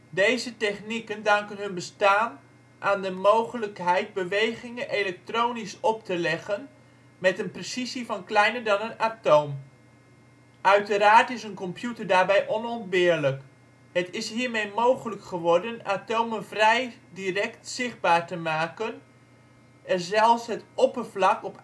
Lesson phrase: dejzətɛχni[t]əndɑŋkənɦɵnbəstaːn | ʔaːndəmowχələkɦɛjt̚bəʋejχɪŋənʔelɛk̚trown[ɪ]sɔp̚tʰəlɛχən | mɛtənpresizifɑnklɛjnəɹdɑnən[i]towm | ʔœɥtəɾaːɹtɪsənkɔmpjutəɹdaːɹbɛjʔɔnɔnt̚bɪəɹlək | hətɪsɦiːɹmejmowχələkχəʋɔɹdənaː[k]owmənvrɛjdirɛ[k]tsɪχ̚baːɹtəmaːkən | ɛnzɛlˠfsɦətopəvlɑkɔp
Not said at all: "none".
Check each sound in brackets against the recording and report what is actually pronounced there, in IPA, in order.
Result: k, i, a, t, k

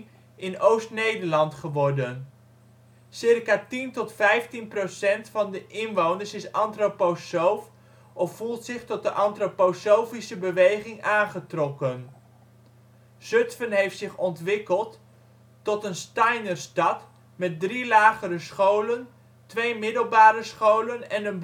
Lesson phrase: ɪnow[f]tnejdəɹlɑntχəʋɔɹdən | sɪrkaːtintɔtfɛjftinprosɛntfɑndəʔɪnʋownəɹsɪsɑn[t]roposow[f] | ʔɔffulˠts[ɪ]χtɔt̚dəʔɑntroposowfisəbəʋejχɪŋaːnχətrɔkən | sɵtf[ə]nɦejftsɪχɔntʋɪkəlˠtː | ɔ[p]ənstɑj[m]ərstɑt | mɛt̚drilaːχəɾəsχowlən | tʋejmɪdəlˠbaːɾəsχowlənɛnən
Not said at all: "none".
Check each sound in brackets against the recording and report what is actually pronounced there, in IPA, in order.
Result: s, t, f, ɪ, ə, t, n

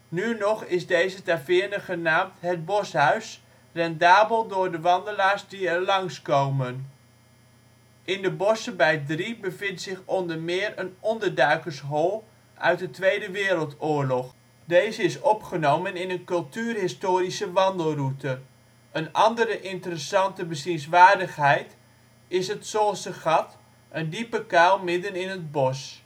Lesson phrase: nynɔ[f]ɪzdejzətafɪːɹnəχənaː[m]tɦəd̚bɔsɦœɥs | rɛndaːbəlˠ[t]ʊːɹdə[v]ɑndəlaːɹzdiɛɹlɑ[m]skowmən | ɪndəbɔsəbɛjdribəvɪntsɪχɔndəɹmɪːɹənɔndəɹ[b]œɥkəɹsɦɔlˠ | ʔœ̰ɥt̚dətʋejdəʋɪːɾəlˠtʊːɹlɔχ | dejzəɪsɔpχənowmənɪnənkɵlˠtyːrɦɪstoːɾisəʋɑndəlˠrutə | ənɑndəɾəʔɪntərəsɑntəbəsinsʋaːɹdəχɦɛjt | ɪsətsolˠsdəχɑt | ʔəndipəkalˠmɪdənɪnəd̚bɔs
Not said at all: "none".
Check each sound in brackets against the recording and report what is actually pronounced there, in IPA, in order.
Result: χ, m, d, ʋ, ŋ, d

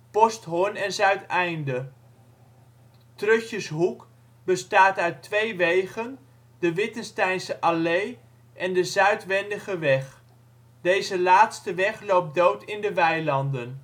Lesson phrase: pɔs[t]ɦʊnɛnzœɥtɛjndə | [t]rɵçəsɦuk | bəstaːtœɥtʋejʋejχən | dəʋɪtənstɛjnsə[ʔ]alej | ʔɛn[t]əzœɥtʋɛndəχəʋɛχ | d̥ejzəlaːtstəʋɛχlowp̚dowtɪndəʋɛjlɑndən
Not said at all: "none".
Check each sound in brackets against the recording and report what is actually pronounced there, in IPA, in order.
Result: t, t, ʔ, d

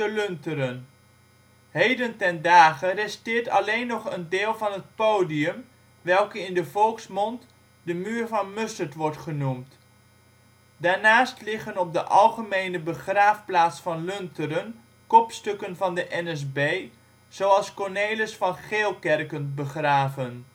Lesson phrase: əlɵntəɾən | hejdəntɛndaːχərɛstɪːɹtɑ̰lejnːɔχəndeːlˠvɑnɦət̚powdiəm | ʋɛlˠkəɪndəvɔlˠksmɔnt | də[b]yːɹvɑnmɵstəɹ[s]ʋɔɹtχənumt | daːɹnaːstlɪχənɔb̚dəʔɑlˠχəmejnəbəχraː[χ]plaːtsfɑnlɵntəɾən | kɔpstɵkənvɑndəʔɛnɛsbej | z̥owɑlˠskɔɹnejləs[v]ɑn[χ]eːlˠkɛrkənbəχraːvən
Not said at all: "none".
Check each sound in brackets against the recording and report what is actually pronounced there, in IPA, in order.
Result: m, t, f, f, χ

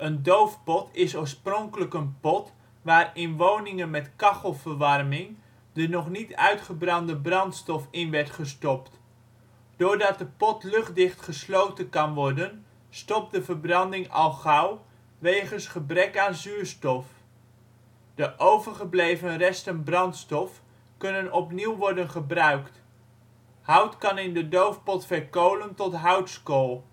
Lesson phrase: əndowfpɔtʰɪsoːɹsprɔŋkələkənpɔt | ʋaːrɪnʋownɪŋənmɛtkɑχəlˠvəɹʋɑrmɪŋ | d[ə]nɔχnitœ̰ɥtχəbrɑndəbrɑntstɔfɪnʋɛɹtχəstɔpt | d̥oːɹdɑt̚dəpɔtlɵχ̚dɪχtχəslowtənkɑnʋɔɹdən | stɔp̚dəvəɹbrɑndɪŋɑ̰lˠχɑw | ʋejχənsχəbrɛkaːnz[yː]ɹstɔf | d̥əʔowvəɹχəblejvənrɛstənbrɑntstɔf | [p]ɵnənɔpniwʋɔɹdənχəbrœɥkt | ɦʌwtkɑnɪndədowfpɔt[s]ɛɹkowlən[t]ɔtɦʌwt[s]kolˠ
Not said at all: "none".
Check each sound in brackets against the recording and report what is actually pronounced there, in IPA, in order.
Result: ə, yː, k, f, t, s

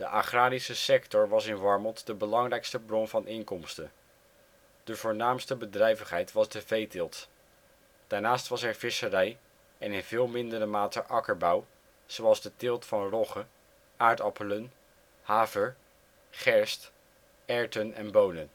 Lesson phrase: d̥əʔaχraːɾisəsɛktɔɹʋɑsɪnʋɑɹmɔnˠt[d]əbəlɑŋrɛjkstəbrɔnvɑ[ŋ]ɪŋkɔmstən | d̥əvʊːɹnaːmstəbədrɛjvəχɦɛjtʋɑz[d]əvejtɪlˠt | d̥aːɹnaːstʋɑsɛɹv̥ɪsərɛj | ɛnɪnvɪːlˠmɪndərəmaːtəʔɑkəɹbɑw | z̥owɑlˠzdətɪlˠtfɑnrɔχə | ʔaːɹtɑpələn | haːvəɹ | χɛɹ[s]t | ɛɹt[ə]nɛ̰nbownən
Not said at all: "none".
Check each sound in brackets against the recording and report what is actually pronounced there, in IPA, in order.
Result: d, n, d, s, ə

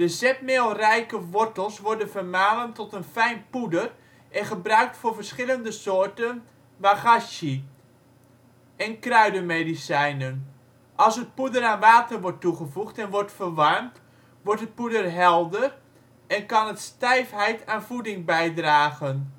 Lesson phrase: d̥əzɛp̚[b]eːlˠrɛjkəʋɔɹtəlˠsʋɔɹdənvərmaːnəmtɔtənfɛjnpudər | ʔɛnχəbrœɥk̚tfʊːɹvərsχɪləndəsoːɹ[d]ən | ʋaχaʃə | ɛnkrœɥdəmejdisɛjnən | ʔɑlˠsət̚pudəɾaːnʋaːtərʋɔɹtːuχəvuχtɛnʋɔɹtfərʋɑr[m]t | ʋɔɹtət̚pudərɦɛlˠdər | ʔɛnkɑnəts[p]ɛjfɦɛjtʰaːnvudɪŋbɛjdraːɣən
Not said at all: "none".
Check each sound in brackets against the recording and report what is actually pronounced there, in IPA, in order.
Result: m, t, m, t

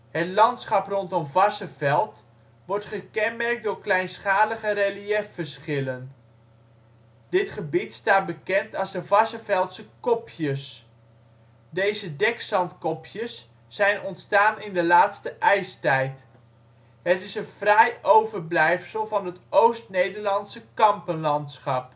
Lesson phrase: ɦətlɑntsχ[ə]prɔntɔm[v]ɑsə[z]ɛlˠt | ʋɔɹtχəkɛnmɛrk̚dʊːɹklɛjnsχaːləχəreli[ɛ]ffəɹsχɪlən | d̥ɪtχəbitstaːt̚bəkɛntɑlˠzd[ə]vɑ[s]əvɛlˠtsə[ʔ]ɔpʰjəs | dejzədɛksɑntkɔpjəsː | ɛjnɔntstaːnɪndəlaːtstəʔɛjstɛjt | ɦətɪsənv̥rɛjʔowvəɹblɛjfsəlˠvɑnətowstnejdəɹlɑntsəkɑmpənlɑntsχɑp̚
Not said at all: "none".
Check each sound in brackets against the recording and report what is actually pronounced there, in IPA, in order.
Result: ɑ, v, v, ɛ, ə, s, k

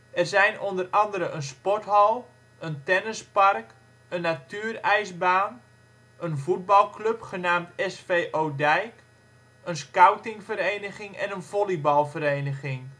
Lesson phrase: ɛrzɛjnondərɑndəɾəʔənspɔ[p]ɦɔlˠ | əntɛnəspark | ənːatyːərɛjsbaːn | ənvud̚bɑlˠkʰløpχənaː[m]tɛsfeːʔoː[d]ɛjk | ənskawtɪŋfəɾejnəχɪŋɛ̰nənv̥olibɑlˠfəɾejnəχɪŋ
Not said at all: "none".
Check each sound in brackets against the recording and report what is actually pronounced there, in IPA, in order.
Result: t, m, d

